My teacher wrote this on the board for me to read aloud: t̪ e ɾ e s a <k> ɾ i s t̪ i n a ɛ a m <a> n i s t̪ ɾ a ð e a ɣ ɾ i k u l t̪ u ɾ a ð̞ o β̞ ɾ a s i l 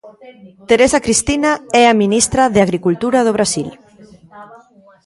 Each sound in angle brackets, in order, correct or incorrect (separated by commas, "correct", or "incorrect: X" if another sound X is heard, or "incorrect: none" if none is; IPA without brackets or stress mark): correct, incorrect: i